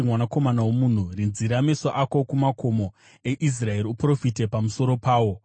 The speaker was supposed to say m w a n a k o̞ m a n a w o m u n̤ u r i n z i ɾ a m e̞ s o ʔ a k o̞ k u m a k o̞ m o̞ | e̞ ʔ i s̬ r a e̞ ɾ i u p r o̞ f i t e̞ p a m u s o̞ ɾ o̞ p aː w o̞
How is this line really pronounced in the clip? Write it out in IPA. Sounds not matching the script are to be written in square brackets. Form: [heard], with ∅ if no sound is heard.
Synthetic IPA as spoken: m w a n a k o̞ m a n a w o m u n̤ u r i n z i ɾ a m e̞ s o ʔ a k o̞ k u m a k o̞ m o̞ | e̞ ʔ i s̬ r a e̞ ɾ i u p r o̞ f i t e̞ p a m u s o̞ ɾ o̞ p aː w o̞